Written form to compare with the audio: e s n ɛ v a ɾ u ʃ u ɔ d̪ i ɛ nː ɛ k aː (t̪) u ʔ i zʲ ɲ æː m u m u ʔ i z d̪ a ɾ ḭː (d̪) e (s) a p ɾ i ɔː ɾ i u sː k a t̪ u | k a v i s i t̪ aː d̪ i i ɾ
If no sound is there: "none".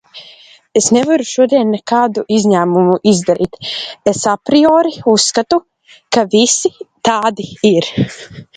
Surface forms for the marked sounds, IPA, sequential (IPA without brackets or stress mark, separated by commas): d̪, t̪, s